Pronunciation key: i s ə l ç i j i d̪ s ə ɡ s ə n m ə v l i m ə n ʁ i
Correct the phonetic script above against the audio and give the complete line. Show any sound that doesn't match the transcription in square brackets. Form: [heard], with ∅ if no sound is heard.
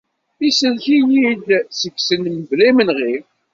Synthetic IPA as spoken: i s ə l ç i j i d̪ s ə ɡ s ə n m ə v l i m ə n ʁ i

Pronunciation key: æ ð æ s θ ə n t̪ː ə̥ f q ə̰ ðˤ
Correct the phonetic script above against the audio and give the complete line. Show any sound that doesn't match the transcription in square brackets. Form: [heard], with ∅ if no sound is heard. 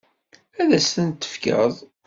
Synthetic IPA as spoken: æ ð æ s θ ə n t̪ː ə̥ f [k] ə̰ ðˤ

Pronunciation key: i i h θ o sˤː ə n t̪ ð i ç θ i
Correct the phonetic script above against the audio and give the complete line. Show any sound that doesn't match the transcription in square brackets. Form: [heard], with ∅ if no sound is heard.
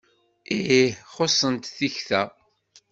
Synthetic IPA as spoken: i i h [χ] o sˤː ə n t̪ [θ] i ç θ [æ]

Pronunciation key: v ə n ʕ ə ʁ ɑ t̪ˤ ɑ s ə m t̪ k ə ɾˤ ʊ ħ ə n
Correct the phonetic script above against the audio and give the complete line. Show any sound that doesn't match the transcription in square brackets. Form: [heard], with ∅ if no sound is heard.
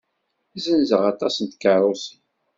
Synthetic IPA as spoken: [z] ə n [z] ə ʁ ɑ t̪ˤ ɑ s ə [n] t̪ k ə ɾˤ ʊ [s] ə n

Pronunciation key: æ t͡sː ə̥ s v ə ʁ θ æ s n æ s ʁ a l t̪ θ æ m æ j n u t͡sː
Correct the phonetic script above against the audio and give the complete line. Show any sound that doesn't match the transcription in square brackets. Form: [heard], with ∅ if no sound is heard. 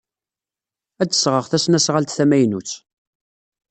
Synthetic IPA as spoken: æ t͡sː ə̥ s [ʁ] ə ʁ θ æ s n æ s ʁ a l t̪ θ æ m æ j n u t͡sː

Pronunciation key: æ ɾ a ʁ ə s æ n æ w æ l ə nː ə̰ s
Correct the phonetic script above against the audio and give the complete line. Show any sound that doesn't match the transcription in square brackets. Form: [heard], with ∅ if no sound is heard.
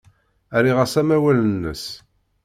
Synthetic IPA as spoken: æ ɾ [i] ʁ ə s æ [m] æ w æ l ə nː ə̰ s

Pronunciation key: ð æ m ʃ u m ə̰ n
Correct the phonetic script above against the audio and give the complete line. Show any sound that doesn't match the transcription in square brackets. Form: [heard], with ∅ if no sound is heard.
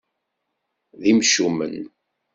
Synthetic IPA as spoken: ð [i] m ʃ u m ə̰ n

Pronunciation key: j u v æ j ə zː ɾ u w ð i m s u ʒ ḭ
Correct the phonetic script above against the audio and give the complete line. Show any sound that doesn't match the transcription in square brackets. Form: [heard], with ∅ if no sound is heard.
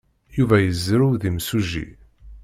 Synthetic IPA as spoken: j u v æ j ə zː ɾ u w ð i m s u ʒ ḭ

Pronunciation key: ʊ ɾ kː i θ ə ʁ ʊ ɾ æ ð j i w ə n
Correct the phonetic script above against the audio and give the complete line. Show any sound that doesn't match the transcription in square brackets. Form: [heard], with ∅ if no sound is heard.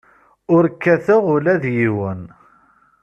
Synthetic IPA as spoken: ʊ ɾ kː [æ] θ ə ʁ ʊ [l] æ ð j i w ə n

